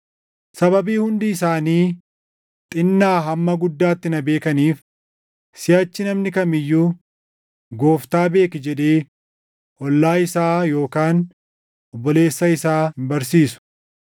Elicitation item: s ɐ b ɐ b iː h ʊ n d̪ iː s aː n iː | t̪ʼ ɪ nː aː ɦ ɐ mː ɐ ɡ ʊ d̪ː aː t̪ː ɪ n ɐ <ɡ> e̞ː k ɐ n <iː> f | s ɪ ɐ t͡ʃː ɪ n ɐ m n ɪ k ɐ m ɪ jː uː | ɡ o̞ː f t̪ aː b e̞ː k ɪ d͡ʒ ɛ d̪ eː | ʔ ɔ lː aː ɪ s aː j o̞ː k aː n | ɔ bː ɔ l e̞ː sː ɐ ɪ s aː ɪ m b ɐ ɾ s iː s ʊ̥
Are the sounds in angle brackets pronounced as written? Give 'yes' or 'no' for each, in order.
no, yes

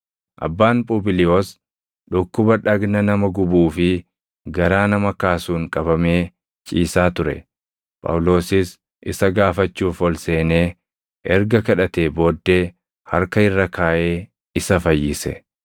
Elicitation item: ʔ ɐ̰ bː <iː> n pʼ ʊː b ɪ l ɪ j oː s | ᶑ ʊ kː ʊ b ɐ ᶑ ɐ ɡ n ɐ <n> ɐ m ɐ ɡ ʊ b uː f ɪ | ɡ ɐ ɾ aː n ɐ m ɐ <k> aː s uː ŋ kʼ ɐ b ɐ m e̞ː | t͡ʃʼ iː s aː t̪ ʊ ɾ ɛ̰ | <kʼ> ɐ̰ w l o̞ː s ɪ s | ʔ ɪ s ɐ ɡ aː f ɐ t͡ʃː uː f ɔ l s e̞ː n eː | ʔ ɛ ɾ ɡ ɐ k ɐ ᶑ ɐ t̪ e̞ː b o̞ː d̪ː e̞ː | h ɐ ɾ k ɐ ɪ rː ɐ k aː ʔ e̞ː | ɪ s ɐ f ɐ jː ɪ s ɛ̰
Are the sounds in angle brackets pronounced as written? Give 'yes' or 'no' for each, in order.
no, yes, yes, no

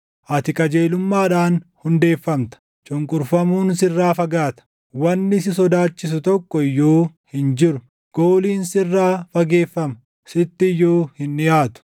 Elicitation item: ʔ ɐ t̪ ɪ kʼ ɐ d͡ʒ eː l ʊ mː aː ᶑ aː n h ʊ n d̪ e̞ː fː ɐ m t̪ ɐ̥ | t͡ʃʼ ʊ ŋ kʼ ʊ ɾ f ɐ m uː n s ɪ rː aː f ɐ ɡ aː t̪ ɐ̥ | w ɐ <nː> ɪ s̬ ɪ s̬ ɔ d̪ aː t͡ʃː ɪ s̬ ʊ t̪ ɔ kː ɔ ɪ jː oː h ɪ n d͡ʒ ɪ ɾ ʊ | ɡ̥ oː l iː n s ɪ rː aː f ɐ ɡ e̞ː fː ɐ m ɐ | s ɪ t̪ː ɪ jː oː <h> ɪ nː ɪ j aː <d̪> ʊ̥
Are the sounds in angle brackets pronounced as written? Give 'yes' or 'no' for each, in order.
yes, yes, no

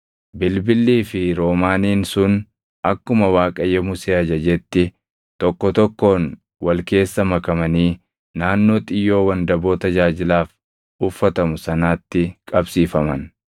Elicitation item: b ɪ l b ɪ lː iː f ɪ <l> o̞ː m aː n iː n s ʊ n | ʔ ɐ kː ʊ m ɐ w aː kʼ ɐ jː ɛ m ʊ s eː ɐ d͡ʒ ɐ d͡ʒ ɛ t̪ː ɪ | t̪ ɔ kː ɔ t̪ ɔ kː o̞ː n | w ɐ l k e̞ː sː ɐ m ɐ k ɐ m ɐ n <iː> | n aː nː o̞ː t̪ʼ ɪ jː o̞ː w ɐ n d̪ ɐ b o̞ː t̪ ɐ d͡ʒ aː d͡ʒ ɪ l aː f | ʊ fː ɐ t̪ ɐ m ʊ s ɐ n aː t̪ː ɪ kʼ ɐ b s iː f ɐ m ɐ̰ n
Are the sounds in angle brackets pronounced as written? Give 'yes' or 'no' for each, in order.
no, yes

